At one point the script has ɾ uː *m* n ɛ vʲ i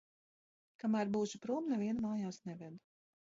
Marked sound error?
no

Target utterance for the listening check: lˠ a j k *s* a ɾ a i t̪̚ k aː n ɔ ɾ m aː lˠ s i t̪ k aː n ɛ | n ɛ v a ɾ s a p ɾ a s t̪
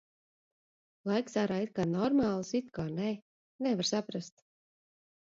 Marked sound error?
no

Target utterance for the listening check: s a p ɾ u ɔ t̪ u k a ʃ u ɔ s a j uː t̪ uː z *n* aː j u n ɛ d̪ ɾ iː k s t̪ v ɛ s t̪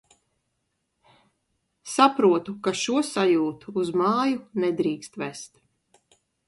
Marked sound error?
yes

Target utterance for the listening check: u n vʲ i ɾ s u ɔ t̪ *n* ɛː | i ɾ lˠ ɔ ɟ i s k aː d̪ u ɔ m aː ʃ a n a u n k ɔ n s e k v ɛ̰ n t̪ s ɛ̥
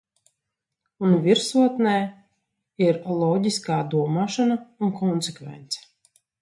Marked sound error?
no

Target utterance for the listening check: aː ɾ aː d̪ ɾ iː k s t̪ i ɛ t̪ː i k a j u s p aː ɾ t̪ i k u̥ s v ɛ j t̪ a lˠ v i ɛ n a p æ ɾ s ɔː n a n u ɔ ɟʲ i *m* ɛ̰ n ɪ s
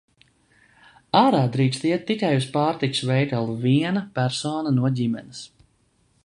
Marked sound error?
no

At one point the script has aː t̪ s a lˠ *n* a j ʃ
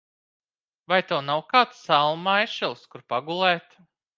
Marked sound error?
yes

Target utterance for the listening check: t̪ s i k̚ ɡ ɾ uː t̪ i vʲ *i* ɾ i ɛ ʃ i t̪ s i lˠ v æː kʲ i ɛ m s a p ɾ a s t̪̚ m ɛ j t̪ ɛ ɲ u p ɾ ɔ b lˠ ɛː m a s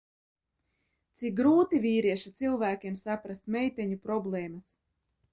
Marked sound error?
yes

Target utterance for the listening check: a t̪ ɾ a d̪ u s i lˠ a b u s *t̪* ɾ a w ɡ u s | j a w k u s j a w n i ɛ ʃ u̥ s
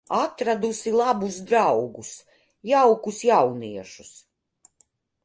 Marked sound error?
yes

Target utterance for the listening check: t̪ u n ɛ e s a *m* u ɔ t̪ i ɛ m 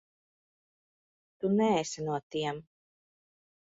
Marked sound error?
yes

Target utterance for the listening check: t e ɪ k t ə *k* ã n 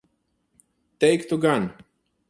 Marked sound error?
yes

